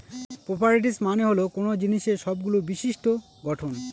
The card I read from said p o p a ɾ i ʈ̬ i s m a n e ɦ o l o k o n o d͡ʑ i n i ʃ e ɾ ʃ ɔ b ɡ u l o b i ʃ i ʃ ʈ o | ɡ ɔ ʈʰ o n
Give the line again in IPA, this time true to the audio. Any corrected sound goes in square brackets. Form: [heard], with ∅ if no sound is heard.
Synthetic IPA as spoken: p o p a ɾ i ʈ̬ i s m a n e ɦ o l o k o n o d͡ʑ i n i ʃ e ɾ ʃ ɔ b ɡ u l o b i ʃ i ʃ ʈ o | ɡ ɔ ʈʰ o n